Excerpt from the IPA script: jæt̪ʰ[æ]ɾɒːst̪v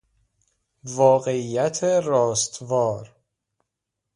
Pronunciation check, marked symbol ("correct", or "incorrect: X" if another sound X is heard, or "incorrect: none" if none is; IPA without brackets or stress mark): incorrect: e